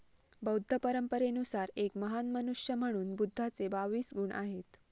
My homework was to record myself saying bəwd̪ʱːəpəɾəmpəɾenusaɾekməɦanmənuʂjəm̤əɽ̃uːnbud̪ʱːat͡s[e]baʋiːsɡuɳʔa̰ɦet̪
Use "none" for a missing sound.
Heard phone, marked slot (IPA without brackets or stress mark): e